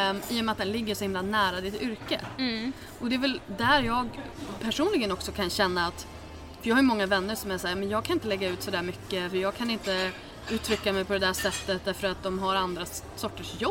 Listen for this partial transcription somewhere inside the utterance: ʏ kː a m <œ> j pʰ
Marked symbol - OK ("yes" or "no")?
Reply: no